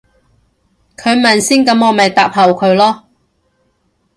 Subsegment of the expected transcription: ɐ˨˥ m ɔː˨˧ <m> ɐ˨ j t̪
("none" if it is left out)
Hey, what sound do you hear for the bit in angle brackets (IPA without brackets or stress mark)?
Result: m